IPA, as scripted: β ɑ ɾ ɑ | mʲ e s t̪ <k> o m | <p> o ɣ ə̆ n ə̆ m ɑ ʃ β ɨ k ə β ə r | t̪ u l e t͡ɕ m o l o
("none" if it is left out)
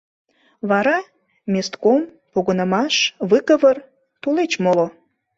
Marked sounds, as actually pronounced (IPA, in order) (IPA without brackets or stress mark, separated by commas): k, p